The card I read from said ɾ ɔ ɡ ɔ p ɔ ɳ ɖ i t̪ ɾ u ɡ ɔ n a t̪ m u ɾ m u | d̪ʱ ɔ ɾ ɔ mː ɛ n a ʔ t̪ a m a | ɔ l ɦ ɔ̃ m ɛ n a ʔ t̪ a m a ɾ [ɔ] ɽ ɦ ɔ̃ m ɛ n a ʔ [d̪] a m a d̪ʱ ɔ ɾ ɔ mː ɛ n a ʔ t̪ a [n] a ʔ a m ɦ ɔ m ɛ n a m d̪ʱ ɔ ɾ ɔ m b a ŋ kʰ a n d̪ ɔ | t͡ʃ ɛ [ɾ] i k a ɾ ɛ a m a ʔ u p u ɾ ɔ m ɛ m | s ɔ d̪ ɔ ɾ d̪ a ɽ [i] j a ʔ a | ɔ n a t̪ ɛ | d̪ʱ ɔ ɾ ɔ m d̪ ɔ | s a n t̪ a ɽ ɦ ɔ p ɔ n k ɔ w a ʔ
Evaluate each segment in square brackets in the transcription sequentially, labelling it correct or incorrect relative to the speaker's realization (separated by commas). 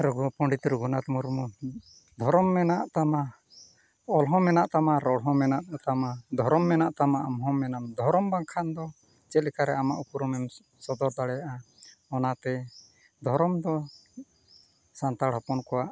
correct, incorrect, incorrect, incorrect, incorrect